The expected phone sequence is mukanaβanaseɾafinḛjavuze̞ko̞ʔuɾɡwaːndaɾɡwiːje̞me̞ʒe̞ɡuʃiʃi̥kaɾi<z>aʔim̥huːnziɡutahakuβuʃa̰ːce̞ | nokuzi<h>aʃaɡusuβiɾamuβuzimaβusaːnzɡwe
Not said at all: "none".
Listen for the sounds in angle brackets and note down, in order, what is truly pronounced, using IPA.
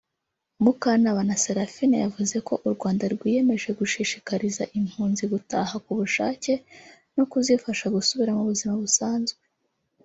z, f

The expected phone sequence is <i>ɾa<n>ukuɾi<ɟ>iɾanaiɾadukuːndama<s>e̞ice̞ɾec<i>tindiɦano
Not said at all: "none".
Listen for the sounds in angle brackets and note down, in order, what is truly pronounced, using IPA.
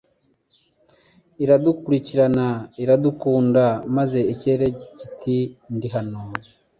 i, d, c, z, i

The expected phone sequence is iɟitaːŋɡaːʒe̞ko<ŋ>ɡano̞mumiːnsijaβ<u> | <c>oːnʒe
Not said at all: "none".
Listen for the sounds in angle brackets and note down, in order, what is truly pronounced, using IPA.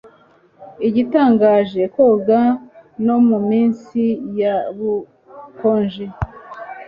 none, u, k

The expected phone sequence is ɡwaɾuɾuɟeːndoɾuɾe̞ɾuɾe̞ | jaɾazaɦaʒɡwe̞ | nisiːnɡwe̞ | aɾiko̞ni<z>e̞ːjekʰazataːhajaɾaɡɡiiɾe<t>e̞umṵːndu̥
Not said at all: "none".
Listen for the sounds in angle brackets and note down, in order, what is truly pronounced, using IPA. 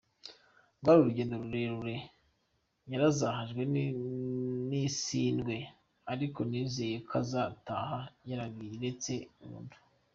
z, t͡s

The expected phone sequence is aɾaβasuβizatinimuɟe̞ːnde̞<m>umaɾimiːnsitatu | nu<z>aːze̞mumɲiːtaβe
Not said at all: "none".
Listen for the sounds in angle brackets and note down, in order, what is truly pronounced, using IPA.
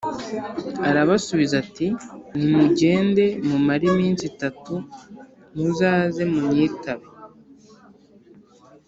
m, z

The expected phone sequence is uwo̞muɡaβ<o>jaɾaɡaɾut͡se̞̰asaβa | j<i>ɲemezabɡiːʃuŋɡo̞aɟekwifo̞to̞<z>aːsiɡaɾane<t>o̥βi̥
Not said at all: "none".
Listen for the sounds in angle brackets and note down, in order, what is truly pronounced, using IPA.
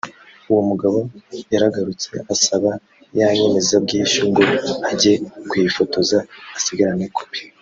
o, a, z, k

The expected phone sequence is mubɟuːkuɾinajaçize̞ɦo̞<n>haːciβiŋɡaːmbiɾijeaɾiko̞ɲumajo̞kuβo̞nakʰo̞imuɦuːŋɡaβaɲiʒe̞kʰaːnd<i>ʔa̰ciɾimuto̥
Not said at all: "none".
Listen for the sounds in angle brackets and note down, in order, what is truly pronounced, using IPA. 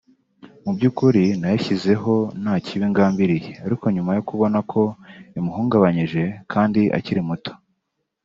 n, i

